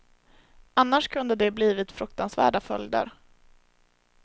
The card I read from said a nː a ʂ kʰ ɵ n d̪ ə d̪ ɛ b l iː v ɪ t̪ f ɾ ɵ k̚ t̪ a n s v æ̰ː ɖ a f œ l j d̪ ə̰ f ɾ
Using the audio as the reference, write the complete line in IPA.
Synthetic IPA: a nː a ʂ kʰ ɵ n d̪ ə d̪ ɛ b l iː v ɪ t̪ f ɾ ɵ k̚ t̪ a n s v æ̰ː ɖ a f œ l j d̪ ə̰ ɾ